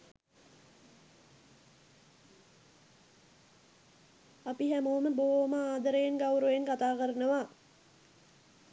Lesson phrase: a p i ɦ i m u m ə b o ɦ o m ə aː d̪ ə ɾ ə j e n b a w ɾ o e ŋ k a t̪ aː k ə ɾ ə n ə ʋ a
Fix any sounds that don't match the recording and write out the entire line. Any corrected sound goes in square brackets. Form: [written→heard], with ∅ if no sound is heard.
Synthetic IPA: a p i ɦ [i→æ] m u m ə b o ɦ o m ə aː d̪ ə ɾ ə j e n [b→ɡ] a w ɾ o e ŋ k a t̪ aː k ə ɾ ə n ə ʋ a